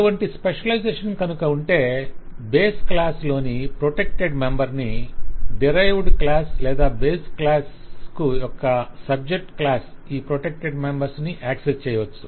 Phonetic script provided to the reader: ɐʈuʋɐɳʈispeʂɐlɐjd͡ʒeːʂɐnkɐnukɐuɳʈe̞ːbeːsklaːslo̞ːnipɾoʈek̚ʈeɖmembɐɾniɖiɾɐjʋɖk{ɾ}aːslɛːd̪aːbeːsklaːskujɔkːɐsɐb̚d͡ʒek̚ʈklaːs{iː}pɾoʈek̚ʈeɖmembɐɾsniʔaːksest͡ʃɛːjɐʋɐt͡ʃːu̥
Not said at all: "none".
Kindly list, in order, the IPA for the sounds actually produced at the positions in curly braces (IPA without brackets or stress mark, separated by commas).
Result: l, iː